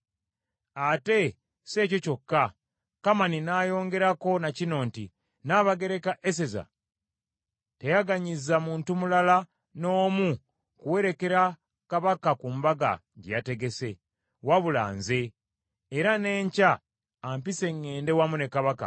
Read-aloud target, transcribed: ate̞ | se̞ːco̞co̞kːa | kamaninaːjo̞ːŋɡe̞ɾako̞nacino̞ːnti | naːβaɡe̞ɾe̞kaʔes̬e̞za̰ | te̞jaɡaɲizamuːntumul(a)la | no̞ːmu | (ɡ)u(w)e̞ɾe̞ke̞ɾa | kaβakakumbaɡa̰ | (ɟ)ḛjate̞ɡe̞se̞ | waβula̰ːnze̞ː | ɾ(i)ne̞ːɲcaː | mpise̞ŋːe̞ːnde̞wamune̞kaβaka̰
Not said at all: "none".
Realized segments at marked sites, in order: a, k, w, ɟ, a

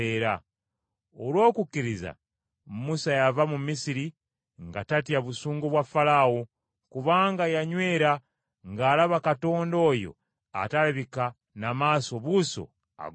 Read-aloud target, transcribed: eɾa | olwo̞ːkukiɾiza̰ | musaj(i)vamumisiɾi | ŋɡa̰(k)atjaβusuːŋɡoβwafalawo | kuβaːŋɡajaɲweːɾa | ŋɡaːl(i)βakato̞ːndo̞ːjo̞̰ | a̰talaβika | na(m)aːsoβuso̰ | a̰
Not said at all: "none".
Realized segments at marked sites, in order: a, t, a, m

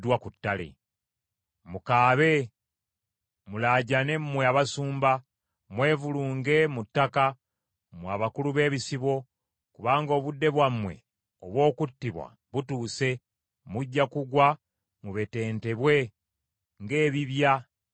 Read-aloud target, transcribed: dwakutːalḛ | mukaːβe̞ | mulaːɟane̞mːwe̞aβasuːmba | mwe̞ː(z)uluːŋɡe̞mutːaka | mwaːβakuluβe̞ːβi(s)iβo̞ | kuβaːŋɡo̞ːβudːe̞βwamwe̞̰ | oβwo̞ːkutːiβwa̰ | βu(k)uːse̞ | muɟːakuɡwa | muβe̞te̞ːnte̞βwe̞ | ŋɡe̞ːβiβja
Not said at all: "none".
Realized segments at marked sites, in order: v, s, t

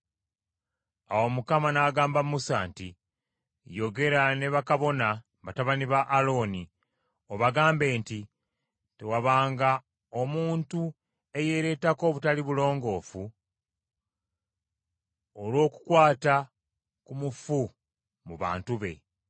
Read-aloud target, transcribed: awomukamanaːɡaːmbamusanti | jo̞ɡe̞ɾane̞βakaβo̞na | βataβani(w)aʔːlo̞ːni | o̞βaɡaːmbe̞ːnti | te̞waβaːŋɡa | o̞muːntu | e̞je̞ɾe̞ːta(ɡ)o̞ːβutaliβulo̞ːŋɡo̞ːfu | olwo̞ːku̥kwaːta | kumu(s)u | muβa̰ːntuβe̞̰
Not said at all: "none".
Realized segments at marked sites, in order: β, k, f

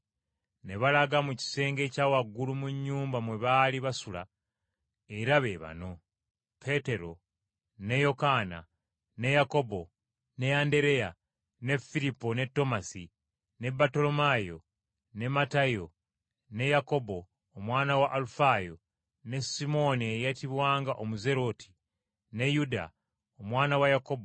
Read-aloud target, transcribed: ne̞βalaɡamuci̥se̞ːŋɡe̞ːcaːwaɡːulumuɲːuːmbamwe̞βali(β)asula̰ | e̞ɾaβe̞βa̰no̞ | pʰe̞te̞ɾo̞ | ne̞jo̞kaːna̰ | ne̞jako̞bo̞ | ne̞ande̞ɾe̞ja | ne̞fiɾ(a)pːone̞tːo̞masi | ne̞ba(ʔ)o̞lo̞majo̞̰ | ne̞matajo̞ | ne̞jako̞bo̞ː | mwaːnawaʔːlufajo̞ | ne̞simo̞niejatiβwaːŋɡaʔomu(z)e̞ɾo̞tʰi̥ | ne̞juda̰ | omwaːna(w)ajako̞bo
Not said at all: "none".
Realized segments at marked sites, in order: β, i, t, z, w

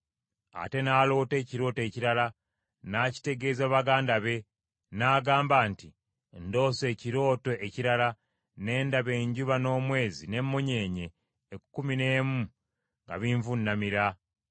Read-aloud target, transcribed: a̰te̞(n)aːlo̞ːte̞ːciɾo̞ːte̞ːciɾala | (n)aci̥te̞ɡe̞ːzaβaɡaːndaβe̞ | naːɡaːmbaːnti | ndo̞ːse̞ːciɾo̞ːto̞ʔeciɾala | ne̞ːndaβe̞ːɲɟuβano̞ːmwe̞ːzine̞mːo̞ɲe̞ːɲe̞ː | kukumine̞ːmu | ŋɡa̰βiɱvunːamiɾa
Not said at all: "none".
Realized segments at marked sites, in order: n, n

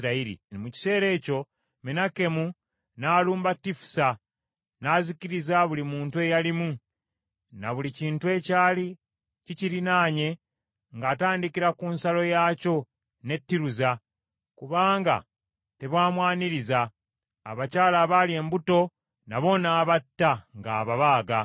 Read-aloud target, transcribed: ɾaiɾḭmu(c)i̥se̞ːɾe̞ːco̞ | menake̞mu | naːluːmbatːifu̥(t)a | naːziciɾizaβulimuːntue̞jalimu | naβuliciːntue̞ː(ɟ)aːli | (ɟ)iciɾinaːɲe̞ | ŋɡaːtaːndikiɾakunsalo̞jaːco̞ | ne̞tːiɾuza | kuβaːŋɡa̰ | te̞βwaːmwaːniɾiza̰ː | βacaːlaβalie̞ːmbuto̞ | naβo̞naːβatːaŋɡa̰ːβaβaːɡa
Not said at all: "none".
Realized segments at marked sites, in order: c, s, c, c

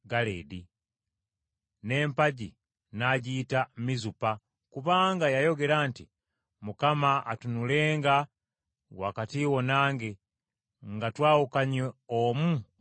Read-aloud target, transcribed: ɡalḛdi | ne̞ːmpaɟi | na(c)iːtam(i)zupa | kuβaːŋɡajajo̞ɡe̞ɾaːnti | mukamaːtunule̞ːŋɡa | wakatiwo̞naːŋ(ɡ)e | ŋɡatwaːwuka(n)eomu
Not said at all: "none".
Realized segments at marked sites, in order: ɟ, i, ɡ, ɲ

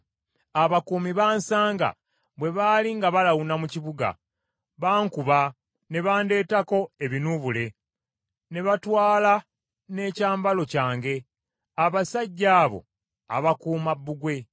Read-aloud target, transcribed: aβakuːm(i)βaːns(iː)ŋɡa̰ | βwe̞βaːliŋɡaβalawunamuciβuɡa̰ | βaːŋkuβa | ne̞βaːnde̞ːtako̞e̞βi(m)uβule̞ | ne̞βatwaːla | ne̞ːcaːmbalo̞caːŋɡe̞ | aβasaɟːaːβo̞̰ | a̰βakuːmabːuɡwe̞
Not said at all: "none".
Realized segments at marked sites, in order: i, aː, n

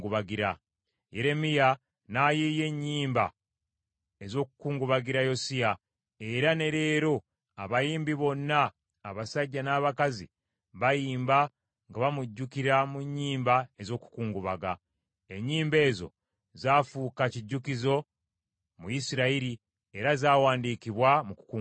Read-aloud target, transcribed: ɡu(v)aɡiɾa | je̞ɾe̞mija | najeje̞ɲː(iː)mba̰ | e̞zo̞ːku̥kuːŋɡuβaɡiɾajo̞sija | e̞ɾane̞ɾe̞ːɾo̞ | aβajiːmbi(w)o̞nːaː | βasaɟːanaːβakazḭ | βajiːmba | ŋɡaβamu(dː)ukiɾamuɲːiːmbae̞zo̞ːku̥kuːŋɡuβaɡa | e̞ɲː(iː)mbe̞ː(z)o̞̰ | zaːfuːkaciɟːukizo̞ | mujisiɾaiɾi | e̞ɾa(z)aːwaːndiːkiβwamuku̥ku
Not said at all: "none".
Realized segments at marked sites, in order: β, iː, β, ɟː, iː, z, z

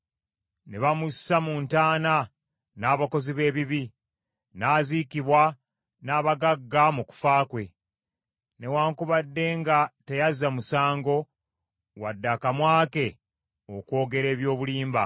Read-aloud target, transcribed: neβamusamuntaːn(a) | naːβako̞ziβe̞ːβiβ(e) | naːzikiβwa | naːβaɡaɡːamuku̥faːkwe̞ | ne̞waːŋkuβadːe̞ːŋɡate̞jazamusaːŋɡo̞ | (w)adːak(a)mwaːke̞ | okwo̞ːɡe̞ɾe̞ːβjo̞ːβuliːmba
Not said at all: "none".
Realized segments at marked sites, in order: a, i, w, a

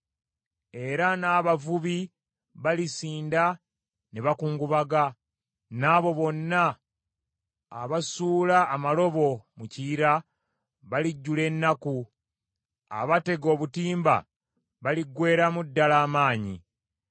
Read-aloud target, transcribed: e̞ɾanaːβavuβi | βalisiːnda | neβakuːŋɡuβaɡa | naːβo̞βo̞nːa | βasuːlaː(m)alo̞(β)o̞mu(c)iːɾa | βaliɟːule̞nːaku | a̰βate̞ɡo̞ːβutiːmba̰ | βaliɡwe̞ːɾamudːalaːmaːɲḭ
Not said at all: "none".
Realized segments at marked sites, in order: m, β, c

